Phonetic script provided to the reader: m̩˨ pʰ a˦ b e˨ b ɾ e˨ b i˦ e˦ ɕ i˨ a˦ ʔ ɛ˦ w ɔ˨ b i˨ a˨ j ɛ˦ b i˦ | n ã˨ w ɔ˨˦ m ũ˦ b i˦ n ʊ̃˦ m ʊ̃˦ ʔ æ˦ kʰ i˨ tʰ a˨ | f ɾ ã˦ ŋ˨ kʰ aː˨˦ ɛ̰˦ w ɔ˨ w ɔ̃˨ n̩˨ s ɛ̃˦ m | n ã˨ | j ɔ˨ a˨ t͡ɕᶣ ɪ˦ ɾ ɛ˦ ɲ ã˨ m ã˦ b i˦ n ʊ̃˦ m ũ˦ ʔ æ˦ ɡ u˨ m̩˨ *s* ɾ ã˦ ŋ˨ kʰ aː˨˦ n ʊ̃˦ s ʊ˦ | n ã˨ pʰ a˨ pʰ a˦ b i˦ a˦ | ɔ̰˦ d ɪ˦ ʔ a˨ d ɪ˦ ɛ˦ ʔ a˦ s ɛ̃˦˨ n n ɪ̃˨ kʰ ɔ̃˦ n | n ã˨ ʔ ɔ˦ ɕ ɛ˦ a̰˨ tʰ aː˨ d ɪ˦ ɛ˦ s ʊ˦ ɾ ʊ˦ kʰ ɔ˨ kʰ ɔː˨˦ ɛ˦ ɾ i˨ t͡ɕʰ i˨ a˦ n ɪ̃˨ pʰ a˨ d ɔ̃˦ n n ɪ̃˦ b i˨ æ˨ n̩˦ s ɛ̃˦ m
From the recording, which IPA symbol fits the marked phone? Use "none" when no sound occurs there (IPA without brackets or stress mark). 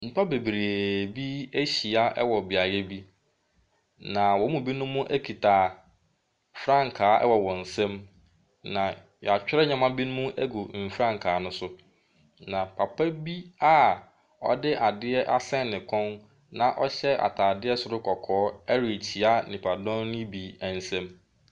f